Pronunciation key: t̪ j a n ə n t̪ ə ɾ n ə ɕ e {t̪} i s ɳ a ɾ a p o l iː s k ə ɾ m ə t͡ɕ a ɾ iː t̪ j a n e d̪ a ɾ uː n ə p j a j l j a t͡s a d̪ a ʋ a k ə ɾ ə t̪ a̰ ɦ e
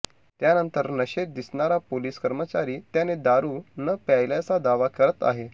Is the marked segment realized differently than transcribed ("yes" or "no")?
yes